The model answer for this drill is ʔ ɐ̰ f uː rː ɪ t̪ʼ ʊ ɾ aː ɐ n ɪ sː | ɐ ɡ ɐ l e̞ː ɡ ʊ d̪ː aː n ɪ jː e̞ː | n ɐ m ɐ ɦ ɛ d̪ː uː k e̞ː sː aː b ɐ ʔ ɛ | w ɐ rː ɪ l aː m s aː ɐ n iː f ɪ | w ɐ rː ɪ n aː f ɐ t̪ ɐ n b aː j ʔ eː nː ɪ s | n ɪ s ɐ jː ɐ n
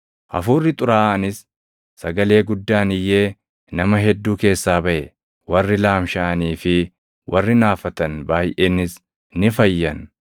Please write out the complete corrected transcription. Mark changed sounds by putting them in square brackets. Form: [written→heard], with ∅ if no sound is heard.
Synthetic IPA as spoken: ʔ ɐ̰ f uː rː ɪ t̪ʼ ʊ ɾ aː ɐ n ɪ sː | ɐ ɡ ɐ l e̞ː ɡ ʊ d̪ː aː n ɪ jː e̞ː | n ɐ m ɐ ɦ ɛ d̪ː uː k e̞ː sː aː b ɐ ʔ ɛ | w ɐ rː ɪ l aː m [s→ʃ] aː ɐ n iː f ɪ | w ɐ rː ɪ n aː f ɐ t̪ ɐ n b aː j ʔ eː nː ɪ s | n ɪ [s→f] ɐ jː ɐ n